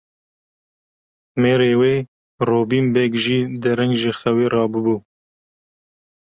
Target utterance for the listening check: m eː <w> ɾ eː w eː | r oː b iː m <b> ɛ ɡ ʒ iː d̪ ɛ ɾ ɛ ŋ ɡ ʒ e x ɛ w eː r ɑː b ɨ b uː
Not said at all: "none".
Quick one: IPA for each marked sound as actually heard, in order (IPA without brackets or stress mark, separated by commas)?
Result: none, b